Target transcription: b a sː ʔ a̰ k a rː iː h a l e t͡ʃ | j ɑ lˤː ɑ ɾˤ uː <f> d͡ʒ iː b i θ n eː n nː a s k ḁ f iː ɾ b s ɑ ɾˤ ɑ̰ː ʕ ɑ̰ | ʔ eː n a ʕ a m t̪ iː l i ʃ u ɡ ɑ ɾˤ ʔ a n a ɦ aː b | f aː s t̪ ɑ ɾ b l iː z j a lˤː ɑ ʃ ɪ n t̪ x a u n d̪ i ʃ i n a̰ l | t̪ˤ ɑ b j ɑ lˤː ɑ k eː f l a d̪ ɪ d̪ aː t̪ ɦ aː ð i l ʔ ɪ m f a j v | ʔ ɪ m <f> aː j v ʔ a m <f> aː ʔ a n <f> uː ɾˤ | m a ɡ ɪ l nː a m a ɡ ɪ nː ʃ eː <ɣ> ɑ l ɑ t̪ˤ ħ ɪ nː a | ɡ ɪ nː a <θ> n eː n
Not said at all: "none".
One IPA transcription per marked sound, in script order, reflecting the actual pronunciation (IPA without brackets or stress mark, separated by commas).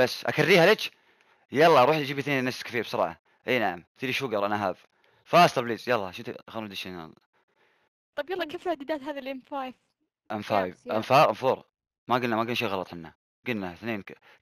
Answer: ħ, f, f, f, ɣ, θ